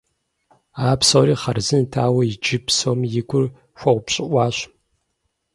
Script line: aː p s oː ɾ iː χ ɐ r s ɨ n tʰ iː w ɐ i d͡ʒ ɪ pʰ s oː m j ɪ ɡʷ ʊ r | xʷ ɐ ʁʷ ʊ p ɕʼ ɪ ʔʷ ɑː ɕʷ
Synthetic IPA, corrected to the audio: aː p s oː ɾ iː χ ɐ r z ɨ n tʰ aː w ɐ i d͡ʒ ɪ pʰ s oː m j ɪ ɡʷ ʊ r | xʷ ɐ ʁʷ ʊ p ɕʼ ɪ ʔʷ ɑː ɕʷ